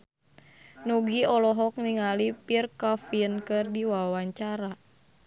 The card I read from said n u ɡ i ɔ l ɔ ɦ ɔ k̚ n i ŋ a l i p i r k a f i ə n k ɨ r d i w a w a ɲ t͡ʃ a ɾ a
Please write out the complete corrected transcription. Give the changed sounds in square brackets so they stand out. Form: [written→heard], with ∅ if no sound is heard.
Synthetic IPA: n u ɡ i ɔ l ɔ ɦ ɔ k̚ n i ŋ a l i p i r k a f i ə n k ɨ r d i w a w a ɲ t͡ʃ a ɾ a